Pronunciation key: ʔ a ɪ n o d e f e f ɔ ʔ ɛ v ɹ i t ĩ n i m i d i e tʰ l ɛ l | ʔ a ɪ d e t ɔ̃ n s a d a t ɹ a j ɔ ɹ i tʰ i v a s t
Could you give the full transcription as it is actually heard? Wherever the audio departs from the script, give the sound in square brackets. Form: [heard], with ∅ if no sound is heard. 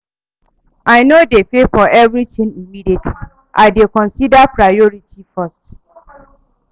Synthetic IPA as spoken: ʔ a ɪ n o d e f e f ɔ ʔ ɛ v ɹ i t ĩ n i m i d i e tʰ l [i] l | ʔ a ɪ d e [k] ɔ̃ n s [i] d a [p] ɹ a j ɔ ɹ i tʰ i [f] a s t